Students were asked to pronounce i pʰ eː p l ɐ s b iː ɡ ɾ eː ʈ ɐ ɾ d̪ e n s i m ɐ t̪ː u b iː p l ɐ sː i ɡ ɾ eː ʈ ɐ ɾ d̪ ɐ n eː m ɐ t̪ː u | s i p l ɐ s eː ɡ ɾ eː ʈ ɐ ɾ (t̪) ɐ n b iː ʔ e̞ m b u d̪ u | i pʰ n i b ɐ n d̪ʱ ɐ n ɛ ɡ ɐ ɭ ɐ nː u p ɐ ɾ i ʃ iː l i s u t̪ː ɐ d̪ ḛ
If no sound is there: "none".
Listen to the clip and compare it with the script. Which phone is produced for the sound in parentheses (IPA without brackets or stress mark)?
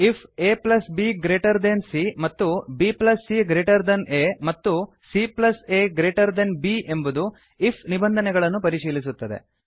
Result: d̪